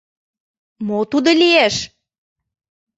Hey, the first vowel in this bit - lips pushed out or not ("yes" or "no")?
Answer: yes